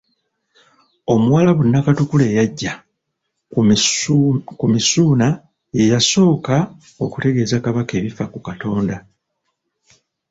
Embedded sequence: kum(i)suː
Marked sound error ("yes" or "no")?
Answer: no